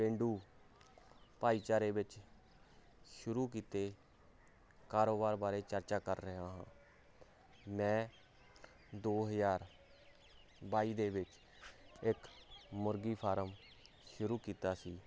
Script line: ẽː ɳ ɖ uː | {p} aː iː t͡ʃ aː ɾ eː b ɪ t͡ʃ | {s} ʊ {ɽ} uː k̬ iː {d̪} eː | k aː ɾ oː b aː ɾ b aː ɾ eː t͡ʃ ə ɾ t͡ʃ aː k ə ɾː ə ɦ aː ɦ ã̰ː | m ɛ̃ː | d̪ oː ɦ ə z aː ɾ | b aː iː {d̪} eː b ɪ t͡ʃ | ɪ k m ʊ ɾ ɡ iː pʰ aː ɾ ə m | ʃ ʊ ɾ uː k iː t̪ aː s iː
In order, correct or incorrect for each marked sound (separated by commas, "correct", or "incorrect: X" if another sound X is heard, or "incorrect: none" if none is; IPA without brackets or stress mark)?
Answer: correct, incorrect: ʃ, incorrect: ɾ, incorrect: t̪, correct